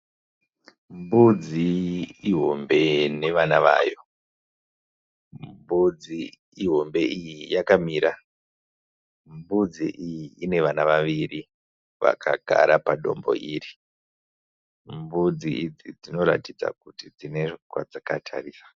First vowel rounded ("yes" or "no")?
yes